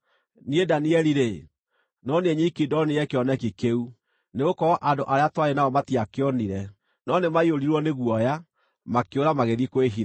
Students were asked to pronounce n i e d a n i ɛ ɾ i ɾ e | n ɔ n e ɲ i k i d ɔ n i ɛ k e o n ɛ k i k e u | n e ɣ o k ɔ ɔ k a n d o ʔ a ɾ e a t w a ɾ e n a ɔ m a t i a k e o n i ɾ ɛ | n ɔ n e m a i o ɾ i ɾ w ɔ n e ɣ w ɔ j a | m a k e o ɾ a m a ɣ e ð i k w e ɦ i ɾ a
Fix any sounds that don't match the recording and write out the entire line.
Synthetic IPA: n i e d a n i ɛ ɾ i ɾ e | n ɔ n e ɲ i k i d ɔ n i ɛ k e ɔ n ɛ k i k e u | n e ɣ o k ɔ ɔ ʔ a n d o ʔ a ɾ e a t w a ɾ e n a ɔ m a t i a k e ɔ n i ɾ ɛ | n ɔ n e m a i o ɾ i ɾ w ɔ n e ɣ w ɔ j a | m a k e o ɾ a m a ɣ e ð i k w e ɦ i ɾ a

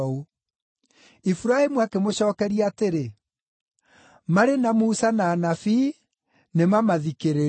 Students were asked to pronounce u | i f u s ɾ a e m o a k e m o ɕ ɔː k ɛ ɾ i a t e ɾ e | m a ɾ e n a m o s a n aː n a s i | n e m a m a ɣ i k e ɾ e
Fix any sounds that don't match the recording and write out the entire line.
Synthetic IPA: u | i f u ɾ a e m u a k e m o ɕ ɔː k ɛ ɾ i a t e ɾ e | m a ɾ e n a m u s a n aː n a f i | n e m a m a ð i k e ɾ e

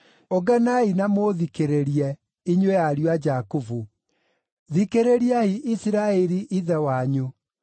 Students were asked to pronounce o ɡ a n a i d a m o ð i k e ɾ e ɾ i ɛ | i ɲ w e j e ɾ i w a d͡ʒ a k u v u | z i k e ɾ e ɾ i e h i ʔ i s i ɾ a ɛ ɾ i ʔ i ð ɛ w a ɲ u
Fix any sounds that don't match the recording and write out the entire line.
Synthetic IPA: o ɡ a n a i n a m o ð i k e ɾ e ɾ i ɛ | i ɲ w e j a ɾ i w a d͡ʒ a k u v u | ð i k e ɾ e ɾ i a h i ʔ i s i ɾ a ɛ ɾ i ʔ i ð ɛ w a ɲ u

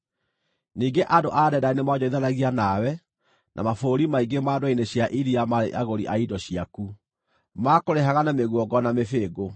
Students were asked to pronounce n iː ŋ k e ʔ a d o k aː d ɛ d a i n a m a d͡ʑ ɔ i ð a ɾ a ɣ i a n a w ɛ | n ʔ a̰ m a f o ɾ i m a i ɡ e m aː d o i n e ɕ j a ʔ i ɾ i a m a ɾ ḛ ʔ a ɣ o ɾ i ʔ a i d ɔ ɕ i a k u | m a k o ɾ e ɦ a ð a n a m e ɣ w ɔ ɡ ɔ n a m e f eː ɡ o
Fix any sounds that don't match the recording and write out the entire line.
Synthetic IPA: n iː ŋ ɡ e ʔ a d o ʔ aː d ɛ d a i n e m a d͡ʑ ɔ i ð a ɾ a ɣ i a n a w ɛ | n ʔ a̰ m a f o ɾ i m a i ɡ e m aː d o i n e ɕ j a ʔ i ɾ i a m a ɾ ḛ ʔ a ɣ o ɾ i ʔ a i d ɔ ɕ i a k u | m a k o ɾ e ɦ a ɣ a n a m e ɣ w ɔ ɡ ɔ n a m e f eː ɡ o

